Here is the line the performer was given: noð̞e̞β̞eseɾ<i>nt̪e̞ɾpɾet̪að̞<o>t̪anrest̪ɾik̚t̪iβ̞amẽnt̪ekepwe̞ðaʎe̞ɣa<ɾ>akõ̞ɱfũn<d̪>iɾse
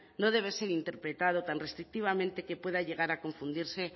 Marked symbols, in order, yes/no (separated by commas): yes, yes, yes, yes